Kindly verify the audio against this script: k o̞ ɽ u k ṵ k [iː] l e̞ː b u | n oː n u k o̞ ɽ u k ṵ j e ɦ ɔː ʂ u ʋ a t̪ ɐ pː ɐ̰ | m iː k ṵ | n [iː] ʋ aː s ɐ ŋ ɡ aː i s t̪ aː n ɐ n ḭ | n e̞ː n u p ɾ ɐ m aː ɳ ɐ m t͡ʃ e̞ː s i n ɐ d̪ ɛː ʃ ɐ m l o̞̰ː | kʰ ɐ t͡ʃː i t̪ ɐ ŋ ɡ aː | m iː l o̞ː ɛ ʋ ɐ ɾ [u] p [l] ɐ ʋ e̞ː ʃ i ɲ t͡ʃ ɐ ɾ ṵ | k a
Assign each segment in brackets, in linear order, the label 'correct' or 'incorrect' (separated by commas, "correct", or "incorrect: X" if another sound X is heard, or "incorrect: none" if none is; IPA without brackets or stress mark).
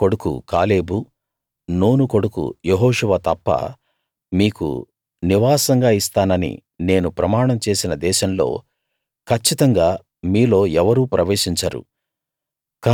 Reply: incorrect: aː, incorrect: i, incorrect: uː, incorrect: ɾ